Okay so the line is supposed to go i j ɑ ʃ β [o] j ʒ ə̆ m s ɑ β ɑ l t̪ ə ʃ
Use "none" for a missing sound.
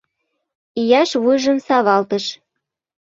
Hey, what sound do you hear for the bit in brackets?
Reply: u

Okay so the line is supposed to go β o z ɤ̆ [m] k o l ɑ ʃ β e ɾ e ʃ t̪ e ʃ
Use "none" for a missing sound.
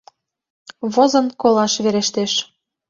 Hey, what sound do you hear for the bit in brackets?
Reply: n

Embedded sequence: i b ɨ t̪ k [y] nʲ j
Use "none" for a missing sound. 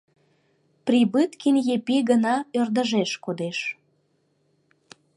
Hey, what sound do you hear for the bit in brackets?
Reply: i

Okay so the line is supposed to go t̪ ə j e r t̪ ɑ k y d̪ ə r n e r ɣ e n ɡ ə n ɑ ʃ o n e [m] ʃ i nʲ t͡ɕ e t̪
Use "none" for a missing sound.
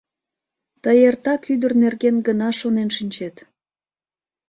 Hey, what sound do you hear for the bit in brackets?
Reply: n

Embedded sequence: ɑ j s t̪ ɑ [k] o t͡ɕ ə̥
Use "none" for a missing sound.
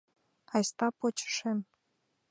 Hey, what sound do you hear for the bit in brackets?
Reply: p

